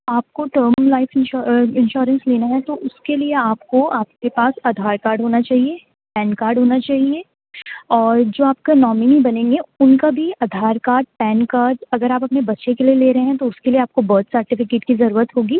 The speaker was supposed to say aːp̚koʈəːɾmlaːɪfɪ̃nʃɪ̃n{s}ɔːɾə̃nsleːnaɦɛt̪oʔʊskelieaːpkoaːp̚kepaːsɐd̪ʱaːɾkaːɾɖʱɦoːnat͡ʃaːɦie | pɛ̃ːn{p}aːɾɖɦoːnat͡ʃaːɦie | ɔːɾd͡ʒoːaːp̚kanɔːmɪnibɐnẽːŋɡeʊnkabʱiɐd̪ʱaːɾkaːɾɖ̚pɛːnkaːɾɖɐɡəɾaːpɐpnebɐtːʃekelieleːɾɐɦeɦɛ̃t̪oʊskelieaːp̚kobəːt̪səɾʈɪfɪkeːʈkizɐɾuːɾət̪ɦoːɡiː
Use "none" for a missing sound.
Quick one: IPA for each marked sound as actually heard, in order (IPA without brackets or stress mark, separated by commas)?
ʃ, k